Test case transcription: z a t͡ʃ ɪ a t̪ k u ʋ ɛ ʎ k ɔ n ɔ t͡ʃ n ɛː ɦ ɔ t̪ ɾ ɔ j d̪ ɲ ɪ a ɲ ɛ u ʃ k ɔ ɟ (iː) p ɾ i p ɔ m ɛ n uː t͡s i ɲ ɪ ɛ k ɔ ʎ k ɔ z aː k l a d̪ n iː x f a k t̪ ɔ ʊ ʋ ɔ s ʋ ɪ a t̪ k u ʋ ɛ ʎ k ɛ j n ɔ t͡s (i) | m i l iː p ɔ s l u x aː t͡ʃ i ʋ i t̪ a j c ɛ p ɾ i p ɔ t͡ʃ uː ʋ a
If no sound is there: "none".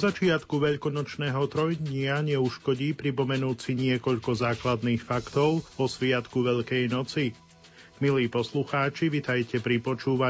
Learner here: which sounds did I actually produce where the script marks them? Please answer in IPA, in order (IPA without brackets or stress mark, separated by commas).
iː, i